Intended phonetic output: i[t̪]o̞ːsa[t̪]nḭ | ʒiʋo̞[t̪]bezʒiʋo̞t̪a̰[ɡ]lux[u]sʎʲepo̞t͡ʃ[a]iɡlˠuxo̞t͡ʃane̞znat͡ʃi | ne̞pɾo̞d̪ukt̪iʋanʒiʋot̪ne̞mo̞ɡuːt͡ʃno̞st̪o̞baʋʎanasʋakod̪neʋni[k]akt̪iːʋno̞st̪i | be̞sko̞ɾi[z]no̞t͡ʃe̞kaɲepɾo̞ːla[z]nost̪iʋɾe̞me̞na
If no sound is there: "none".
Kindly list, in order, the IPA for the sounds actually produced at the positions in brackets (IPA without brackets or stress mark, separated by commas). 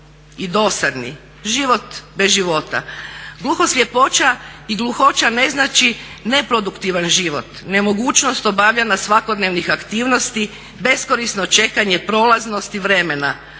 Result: d̪, d̪, t̪, ɡ, o, a, x, s, z